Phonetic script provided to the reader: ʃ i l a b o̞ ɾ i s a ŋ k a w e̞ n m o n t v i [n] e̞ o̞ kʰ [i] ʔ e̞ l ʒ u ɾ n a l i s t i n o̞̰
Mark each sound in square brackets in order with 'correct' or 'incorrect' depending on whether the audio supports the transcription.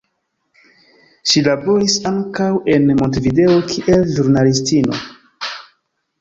incorrect, correct

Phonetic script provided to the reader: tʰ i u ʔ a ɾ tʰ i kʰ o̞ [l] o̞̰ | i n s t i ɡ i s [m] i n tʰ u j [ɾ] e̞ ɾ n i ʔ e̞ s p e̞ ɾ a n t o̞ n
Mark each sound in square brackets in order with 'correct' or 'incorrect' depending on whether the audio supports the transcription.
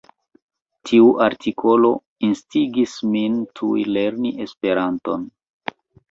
correct, correct, incorrect

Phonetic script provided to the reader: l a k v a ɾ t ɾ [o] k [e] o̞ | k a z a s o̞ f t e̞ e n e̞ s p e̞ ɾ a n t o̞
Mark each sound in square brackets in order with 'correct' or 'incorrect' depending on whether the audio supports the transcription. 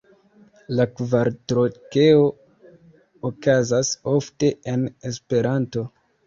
correct, correct

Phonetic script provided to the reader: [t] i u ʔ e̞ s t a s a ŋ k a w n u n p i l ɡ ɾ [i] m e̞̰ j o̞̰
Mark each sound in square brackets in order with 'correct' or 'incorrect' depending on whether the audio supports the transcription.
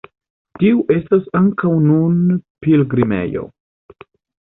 correct, correct

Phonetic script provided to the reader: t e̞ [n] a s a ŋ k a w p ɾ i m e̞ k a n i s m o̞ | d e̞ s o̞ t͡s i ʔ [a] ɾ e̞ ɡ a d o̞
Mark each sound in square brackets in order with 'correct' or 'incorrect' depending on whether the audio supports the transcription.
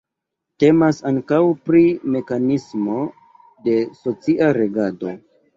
incorrect, correct

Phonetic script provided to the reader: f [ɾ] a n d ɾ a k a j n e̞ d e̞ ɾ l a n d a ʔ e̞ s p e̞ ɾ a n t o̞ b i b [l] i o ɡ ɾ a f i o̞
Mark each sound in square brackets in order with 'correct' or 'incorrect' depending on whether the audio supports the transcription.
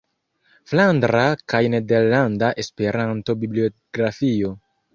incorrect, correct

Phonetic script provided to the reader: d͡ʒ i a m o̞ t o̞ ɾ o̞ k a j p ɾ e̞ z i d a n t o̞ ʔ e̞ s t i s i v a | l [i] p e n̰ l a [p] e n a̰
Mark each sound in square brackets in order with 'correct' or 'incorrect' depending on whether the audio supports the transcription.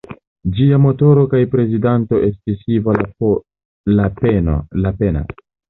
incorrect, correct

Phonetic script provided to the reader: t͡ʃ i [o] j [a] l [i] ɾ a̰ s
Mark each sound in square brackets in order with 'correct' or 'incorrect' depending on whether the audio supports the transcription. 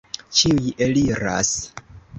incorrect, incorrect, correct

